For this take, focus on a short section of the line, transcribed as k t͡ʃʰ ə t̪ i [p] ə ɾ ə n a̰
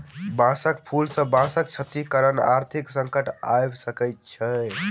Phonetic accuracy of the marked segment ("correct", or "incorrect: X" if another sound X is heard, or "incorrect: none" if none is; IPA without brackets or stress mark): incorrect: k